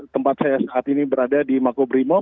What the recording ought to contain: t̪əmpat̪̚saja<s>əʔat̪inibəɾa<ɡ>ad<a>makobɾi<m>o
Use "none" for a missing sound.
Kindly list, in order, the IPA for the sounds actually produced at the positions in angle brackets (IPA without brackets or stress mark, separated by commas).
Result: s, d, i, m